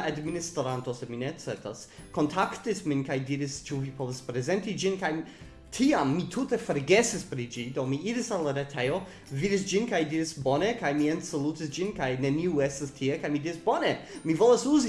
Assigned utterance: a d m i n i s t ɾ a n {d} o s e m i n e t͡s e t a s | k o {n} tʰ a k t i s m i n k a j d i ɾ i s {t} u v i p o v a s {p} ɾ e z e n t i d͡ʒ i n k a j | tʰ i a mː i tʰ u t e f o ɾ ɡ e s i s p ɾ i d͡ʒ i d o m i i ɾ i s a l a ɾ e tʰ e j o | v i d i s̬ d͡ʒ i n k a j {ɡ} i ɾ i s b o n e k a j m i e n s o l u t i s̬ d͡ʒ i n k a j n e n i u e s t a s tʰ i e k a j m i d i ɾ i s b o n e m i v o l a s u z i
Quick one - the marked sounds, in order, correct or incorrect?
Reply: incorrect, correct, incorrect, correct, incorrect

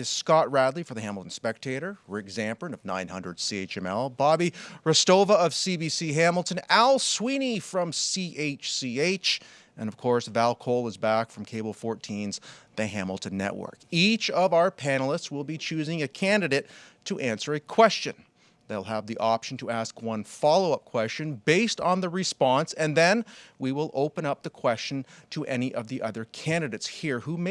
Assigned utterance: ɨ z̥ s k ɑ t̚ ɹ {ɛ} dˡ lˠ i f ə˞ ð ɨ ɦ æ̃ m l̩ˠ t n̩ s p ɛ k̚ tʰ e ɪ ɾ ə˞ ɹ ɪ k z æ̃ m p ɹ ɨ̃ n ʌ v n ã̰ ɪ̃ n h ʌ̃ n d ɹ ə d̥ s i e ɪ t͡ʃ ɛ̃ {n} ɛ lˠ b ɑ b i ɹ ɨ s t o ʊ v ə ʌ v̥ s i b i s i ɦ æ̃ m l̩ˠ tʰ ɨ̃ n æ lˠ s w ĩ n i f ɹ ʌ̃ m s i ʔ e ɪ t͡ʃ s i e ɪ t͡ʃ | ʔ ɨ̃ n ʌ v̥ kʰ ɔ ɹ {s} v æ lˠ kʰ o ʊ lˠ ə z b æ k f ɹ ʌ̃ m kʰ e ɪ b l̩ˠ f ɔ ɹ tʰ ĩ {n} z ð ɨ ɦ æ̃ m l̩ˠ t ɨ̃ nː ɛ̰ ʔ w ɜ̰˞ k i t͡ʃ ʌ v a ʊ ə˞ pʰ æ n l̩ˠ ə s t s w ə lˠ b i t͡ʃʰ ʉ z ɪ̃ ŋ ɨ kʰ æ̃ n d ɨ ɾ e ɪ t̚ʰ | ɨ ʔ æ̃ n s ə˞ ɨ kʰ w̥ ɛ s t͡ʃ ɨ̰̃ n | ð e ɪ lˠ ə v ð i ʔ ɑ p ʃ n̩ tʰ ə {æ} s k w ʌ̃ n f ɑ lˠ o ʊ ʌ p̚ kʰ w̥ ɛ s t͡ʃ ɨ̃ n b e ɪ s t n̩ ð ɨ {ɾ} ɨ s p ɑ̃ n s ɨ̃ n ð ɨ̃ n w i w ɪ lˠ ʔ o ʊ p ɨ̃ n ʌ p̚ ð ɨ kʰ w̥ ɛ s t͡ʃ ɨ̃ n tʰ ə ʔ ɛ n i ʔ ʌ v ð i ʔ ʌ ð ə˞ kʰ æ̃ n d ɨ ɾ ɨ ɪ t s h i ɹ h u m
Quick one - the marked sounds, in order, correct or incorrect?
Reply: incorrect, incorrect, correct, correct, correct, incorrect

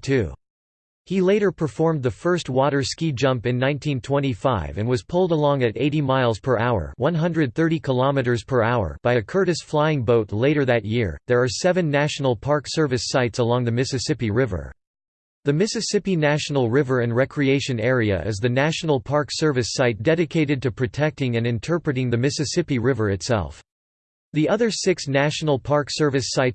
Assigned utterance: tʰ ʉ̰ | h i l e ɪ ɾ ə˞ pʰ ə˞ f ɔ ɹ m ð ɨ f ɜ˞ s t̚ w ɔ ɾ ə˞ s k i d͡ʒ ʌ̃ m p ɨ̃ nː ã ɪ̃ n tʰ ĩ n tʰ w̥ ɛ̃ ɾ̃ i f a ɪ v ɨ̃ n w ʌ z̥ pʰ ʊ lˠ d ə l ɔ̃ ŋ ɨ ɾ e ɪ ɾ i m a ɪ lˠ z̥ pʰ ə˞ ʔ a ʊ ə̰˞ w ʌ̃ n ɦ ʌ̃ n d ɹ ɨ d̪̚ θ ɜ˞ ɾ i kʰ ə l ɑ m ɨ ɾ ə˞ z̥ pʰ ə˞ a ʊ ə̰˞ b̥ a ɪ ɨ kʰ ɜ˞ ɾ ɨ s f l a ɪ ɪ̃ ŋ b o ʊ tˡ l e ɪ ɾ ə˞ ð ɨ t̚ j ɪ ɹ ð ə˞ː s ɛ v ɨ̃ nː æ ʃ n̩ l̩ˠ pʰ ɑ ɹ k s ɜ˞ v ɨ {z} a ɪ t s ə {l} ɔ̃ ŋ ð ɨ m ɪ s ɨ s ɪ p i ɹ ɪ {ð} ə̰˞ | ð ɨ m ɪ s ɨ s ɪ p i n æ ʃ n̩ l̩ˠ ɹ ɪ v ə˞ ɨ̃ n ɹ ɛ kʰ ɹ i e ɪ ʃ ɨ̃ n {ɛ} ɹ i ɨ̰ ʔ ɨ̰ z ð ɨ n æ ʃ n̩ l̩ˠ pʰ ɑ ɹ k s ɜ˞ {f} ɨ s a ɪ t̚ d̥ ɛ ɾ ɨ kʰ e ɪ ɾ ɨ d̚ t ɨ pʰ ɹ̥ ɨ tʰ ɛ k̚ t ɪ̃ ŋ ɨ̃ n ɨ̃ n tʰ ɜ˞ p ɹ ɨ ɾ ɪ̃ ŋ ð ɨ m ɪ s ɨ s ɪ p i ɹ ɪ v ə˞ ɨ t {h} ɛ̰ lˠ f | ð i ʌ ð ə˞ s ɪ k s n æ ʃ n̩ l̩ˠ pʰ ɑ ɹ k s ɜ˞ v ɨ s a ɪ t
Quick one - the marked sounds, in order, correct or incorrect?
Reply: incorrect, correct, incorrect, correct, incorrect, incorrect

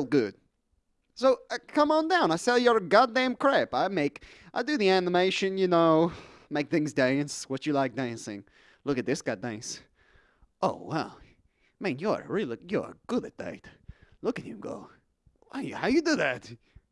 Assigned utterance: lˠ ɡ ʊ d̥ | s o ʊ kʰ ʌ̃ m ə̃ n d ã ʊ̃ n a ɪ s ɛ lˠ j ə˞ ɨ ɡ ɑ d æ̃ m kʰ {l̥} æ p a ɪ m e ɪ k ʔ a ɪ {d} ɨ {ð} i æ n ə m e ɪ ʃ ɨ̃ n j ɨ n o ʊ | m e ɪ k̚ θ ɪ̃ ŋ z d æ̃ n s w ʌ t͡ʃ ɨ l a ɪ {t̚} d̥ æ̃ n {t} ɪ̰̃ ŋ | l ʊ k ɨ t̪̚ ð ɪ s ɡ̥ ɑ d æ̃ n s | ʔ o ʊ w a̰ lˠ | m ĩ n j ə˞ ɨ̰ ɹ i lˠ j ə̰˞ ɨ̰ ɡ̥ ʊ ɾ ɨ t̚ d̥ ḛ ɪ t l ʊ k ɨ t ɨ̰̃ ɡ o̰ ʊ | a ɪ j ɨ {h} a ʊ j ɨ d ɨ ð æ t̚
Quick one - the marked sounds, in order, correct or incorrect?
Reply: incorrect, correct, correct, incorrect, incorrect, correct

